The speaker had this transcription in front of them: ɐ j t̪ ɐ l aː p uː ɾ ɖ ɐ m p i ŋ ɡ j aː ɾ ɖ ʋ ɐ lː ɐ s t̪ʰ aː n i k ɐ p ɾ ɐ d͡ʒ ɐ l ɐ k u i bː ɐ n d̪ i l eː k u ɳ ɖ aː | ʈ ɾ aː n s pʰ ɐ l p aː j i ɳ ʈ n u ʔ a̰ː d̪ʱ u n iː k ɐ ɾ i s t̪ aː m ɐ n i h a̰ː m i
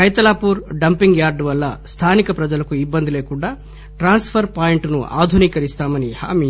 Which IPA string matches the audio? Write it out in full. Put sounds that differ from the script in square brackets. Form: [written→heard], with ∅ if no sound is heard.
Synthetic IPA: ɐ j t̪ ɐ l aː p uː ɾ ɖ ɐ m p i ŋ ɡ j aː ɾ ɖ ʋ ɐ lː ɐ s t̪ʰ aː n i k ɐ p ɾ ɐ d͡ʒ ɐ l ɐ k u i bː ɐ n d̪ i l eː k u ɳ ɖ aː | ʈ ɾ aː n s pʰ ɐ [l→ɾ] p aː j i ɳ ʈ n u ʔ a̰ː d̪ʱ u n iː k ɐ ɾ i s t̪ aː m ɐ n i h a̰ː m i